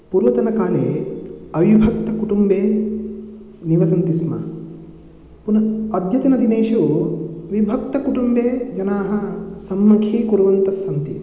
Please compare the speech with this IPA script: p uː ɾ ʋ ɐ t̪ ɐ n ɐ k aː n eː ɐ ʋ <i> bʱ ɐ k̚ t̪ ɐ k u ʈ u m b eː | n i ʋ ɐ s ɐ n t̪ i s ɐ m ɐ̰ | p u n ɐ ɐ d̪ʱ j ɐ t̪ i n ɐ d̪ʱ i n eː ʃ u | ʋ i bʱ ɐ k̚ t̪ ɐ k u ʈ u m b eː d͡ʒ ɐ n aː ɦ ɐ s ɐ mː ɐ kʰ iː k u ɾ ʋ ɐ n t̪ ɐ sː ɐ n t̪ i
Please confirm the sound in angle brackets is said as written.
yes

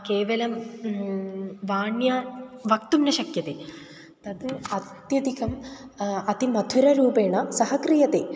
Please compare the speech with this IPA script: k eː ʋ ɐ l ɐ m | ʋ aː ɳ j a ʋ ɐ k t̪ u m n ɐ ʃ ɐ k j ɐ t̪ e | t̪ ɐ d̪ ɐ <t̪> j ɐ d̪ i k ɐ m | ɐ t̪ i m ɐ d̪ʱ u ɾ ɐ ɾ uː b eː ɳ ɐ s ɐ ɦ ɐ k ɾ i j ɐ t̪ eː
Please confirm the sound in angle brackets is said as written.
yes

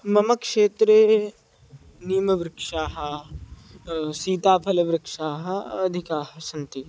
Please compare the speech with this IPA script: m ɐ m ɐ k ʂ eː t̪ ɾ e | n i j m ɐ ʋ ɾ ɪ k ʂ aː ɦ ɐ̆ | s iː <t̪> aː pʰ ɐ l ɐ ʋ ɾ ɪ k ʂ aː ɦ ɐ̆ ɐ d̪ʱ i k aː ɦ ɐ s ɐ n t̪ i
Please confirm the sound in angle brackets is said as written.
yes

